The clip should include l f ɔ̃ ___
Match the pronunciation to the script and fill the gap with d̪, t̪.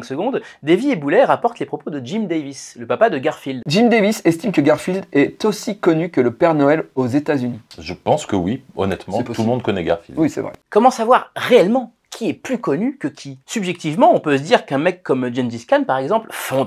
d̪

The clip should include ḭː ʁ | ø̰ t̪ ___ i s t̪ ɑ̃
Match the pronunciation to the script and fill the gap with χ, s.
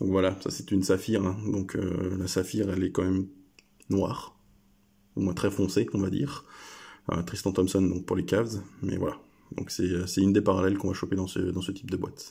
χ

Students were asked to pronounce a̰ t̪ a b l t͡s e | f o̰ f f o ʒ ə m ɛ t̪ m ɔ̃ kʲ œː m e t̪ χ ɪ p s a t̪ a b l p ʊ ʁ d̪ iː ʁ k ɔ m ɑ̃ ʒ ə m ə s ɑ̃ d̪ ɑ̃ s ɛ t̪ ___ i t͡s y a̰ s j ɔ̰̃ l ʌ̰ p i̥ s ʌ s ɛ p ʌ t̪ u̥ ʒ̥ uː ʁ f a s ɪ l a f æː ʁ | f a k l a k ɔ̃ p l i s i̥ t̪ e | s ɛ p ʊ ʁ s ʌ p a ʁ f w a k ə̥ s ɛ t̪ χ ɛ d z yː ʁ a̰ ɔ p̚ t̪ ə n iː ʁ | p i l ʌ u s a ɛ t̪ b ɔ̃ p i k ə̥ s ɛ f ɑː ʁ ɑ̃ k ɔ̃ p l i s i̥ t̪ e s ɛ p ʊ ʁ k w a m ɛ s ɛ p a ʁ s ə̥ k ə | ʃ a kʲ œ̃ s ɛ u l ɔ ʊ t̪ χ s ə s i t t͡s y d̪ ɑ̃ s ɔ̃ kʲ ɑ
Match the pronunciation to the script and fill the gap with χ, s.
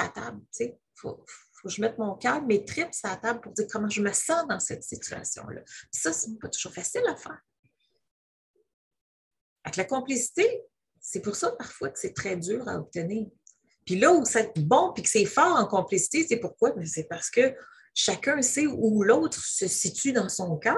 s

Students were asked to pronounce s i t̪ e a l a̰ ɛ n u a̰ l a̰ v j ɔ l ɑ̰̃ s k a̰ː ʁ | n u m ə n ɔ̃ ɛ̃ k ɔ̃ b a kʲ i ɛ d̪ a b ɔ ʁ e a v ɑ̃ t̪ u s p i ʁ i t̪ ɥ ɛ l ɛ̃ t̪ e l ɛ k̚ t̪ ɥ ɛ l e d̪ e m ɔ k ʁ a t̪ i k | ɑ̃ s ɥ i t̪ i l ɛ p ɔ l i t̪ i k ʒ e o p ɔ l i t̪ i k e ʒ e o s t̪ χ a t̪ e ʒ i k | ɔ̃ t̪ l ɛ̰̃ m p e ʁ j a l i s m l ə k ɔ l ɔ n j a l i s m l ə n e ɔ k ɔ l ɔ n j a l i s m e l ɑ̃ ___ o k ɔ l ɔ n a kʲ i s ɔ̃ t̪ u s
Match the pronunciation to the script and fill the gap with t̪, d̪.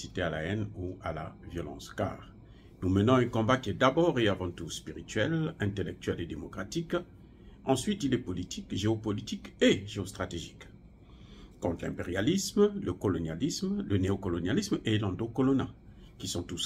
d̪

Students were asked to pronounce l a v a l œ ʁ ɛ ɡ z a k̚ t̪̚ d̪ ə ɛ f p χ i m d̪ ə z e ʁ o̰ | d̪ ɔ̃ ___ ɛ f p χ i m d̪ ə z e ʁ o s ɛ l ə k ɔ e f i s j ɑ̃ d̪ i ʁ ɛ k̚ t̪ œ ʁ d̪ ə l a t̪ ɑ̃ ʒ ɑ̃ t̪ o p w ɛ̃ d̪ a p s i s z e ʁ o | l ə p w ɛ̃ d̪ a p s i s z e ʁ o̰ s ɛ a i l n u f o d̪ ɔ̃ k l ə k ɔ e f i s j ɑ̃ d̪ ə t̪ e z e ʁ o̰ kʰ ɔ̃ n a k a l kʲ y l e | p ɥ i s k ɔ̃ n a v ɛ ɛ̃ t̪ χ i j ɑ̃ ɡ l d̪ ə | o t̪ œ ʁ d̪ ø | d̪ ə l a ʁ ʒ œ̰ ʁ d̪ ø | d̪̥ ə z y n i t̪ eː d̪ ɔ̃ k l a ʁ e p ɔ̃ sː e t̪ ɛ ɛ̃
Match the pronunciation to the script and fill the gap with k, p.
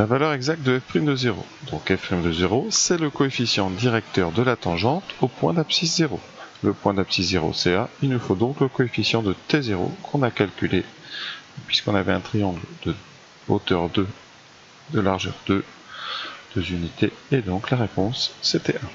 k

